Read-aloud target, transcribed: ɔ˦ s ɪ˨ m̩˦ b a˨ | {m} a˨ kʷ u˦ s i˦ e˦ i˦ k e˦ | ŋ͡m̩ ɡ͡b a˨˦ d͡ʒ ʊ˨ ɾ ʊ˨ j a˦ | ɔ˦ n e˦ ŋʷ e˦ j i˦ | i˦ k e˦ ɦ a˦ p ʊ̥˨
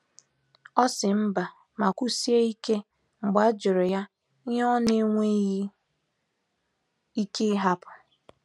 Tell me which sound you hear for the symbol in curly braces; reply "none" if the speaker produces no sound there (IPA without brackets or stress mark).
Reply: m